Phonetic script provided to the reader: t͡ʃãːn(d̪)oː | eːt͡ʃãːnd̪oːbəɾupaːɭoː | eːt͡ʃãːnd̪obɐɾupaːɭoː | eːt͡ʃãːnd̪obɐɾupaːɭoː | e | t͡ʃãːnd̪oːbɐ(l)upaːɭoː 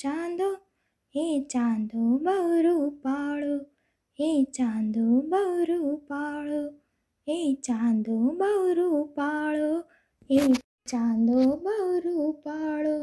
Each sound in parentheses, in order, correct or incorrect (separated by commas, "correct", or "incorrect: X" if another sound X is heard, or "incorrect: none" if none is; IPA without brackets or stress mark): correct, incorrect: ɾ